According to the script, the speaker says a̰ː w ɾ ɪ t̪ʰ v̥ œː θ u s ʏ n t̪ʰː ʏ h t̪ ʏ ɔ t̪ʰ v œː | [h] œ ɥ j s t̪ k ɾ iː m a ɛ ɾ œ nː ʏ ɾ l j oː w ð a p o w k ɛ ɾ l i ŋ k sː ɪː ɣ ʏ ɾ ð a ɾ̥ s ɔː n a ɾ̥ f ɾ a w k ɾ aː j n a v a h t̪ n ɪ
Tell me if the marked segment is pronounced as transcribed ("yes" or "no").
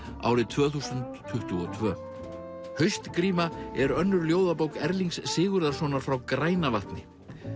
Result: yes